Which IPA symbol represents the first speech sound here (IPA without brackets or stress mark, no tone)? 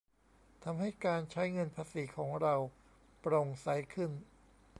t̪ʰ